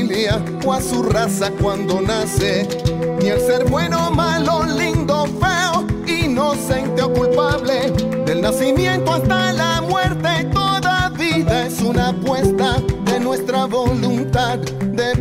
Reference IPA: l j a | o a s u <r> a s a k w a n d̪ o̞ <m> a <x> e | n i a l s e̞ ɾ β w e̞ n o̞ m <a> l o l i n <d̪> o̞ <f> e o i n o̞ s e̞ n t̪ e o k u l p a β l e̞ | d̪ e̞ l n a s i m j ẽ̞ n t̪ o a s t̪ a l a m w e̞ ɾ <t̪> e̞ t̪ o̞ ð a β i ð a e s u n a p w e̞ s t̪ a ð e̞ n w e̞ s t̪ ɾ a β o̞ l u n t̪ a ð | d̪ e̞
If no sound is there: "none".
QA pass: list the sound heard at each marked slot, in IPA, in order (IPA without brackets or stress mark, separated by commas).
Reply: r, n, s, a, d̪, f, t̪